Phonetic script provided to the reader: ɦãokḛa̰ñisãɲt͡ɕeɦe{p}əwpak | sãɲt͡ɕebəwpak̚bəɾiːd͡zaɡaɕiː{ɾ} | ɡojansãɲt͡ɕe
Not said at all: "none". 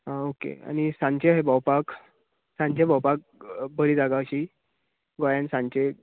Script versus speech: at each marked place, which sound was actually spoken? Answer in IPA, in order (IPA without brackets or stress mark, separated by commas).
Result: b, none